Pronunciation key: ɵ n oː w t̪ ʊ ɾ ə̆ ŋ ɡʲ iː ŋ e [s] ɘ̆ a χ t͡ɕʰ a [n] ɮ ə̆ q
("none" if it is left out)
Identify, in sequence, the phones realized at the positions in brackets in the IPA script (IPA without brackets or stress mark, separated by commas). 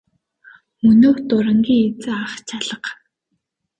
t͡s, none